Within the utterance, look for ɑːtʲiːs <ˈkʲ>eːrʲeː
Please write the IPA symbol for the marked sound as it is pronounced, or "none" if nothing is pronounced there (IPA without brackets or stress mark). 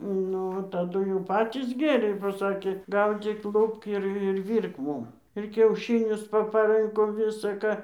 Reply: ɡʲ